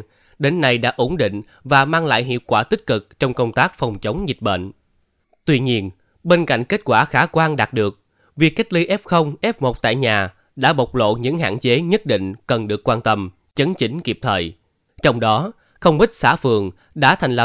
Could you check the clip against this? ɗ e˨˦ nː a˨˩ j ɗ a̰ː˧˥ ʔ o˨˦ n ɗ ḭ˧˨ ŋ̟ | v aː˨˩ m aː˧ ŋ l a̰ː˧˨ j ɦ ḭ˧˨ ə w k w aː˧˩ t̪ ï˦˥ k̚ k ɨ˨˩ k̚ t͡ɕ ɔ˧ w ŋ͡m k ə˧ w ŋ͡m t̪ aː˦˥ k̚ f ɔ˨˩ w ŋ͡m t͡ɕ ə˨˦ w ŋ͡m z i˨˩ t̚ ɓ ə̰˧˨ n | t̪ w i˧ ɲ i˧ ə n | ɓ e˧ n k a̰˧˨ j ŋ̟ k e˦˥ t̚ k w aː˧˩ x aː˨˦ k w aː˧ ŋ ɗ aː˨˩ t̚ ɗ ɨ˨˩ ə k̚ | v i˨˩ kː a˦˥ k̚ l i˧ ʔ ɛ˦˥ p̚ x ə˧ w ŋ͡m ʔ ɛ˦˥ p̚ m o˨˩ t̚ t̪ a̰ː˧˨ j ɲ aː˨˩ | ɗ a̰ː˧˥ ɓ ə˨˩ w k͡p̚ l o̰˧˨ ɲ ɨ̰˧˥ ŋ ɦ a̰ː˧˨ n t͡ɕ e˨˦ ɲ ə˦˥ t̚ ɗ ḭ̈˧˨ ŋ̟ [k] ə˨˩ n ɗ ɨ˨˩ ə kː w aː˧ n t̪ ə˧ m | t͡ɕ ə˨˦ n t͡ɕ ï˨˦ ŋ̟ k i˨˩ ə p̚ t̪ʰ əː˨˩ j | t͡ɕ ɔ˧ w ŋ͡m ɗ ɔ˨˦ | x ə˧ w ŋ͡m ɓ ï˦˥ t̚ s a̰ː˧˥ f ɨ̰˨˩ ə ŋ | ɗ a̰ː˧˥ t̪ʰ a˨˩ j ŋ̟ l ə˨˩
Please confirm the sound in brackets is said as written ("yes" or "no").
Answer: yes